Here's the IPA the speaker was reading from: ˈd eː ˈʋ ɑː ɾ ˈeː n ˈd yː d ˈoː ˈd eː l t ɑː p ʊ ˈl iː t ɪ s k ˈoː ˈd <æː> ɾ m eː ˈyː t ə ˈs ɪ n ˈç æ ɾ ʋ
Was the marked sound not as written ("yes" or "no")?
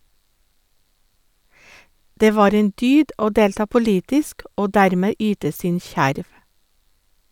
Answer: yes